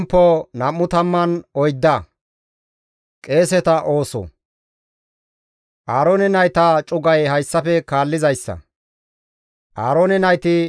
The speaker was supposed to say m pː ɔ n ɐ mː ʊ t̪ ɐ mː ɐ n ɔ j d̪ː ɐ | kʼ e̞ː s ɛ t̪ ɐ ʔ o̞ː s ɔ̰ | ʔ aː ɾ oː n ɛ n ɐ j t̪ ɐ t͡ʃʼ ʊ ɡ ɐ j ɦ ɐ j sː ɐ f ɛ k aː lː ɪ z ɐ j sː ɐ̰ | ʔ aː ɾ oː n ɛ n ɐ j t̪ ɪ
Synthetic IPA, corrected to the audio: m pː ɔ n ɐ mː ʊ t̪ ɐ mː ɐ n ɔ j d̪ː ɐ | kʼ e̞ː s ɛ t̪ ɐ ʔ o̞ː s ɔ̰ | ʔ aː ɾ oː n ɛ n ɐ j t̪ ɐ t͡ʃʼ ʊ ɡ ɐ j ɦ ɐ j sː ɐ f ɛ k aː lː ɪ z ɐ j sː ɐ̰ | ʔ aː ɾ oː n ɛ n ɐ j t̪ ɪ